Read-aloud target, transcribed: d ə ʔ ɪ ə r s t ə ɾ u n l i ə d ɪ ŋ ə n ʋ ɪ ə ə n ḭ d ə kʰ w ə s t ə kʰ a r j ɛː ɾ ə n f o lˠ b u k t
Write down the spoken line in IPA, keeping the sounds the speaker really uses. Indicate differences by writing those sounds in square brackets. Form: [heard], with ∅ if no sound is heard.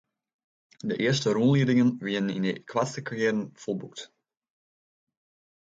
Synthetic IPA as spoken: d ə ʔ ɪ ə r s t ə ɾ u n l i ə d ɪ ŋ ə n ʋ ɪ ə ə n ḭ [n] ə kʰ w [a] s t ə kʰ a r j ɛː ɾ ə n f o lˠ b u k t